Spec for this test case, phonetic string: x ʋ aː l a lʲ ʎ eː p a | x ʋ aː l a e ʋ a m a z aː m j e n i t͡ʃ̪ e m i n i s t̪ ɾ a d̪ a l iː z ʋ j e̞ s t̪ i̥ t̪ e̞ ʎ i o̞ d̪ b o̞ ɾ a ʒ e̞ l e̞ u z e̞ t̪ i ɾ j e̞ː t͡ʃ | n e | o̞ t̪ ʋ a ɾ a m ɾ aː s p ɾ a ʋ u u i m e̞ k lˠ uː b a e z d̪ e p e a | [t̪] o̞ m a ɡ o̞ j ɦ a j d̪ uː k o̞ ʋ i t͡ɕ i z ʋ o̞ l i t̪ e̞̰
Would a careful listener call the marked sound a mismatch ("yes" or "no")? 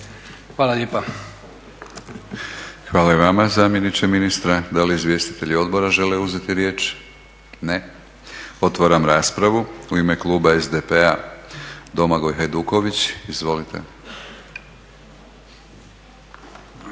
yes